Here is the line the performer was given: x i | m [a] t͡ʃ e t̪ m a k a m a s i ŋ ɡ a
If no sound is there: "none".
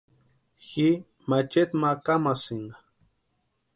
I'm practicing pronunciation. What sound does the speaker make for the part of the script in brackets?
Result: a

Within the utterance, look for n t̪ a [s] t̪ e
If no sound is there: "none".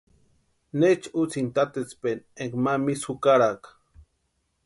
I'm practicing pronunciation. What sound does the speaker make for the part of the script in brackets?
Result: none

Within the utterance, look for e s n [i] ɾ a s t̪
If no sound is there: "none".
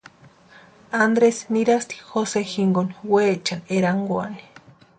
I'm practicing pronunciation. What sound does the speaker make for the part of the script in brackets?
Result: i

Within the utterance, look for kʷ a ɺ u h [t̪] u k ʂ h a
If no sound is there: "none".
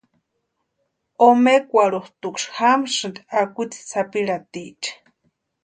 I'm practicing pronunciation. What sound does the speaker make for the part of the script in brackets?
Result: t̪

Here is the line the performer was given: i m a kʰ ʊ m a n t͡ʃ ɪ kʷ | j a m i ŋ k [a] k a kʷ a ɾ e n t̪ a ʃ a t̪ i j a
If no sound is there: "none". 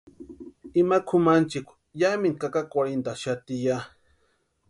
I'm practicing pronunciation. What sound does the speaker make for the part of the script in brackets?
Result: a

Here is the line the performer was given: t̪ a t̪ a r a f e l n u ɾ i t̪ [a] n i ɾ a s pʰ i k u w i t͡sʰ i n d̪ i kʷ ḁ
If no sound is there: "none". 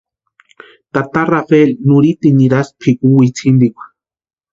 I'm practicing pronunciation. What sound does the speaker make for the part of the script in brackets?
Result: i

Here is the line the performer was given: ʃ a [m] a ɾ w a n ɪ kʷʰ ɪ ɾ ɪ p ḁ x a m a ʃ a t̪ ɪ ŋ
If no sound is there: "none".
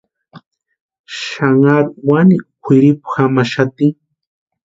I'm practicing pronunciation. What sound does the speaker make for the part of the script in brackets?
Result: ŋ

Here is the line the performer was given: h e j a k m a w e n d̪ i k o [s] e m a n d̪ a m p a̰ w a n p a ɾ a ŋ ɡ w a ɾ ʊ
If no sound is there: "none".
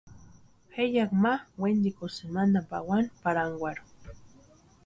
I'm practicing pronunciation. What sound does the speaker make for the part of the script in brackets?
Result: s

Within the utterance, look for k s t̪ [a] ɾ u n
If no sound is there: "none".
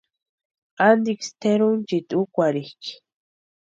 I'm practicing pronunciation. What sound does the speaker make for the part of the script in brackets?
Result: e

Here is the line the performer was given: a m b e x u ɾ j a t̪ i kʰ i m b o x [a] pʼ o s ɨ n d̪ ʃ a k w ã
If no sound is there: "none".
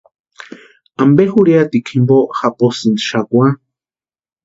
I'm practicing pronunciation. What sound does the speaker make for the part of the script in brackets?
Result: a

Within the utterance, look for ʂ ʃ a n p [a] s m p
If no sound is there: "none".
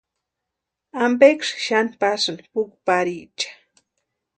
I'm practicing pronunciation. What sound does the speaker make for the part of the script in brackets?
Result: a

